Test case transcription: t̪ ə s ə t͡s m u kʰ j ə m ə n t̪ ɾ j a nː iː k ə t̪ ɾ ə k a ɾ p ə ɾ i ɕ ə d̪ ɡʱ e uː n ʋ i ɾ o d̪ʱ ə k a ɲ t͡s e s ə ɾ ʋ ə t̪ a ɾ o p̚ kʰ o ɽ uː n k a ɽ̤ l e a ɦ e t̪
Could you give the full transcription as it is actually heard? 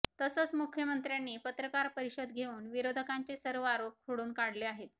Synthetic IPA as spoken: t̪ ə s ə t͡s m u kʰ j ə m ə n t̪ ɾ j a nː iː p ə t̪ ɾ ə k a ɾ p ə ɾ i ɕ ə d̪ ɡʱ e uː n ʋ i ɾ o d̪ʱ ə k a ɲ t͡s e s ə ɾ ʋ ə a ɾ o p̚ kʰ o ɽ uː n k a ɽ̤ l e a ɦ e t̪

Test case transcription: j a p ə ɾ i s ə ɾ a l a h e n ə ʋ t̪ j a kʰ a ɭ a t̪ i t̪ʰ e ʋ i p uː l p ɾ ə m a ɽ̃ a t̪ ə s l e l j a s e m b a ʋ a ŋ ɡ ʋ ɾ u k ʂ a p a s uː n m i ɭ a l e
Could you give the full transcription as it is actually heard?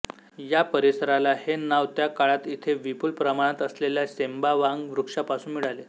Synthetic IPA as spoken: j a p ə ɾ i s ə ɾ a l a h e n a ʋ t̪ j a k a ɭ a t̪ i t̪ʰ e ʋ i p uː l p ɾ ə m a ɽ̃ a t̪ ə s l e l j a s e m b a ʋ a ŋ ɡ ʋ ɾ u k ʂ a p a s uː n m i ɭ a l e

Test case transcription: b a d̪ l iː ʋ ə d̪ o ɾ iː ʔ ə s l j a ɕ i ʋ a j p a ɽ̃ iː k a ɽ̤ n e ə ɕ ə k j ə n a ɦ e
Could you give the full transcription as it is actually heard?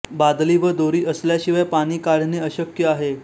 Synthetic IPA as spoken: b a d̪ l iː ʋ ə d̪ o ɾ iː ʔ ə s l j a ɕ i ʋ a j p a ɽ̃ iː k a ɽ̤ n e ə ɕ ə k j ə a ɦ e

